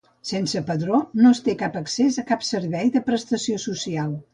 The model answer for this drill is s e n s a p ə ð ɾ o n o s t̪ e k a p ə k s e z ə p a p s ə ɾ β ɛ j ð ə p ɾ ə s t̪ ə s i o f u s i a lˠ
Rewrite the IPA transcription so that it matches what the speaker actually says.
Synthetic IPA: s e n s ə p ə ð ɾ o n o s t̪ e k a p ə k s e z ə k a p s ə ɾ β ɛ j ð ə p ɾ ə s t̪ ə s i o s u s i a lˠ